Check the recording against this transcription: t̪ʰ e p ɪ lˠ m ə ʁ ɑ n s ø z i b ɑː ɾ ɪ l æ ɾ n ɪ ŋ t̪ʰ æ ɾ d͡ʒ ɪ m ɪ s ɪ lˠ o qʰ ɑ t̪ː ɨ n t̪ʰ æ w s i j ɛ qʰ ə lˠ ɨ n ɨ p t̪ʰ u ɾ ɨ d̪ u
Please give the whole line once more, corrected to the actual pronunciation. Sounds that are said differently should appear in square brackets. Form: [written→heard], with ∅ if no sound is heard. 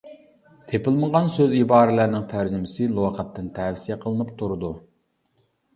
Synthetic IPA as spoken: t̪ʰ e p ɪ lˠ m ə ʁ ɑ n s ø z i b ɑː ɾ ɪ l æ ɾ n ɪ ŋ t̪ʰ æ ɾ d͡ʒ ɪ m ɪ s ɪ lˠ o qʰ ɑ t̪ː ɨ n t̪ʰ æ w s i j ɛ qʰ ə lˠ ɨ n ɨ p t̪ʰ u ɾ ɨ d̪ u